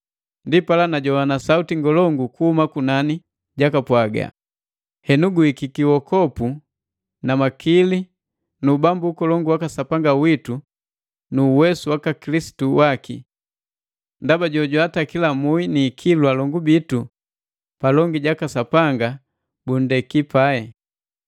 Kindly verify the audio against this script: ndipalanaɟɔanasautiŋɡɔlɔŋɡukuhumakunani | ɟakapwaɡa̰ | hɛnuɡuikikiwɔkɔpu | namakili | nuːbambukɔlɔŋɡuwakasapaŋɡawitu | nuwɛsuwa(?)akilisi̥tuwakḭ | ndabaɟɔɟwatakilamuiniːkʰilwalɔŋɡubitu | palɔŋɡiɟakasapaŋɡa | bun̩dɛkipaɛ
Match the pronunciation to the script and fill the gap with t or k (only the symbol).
k